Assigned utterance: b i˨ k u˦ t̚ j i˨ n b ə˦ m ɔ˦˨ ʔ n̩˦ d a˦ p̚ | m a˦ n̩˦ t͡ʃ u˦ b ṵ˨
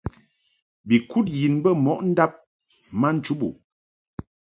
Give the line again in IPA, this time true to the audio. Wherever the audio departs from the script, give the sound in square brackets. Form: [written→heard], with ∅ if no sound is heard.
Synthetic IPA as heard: b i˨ k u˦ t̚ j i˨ n b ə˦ m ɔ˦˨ ʔ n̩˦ d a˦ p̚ | m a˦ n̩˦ t͡ʃ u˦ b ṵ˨

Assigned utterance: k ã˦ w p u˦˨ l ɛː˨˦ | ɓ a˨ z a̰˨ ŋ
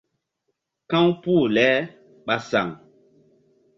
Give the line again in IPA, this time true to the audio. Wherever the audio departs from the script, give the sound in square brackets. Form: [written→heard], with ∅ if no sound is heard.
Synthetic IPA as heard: k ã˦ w p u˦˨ l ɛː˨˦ | ɓ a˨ [z→s] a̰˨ ŋ

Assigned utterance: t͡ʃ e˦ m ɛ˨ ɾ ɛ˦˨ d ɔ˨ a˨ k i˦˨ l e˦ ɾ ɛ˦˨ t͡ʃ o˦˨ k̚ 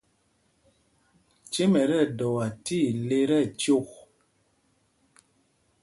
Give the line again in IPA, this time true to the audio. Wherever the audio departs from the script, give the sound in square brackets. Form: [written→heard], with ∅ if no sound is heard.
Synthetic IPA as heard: t͡ʃ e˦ m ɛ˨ ɾ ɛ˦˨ d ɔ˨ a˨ [k→t] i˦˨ l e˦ ɾ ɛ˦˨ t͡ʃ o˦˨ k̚

